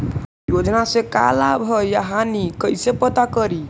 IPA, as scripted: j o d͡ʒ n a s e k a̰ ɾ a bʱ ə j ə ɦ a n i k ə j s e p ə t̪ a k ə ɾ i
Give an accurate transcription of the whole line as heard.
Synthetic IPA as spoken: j o d͡ʒ n a s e k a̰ l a bʱ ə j a ɦ a n i k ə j s e p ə t̪ a k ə ɾ i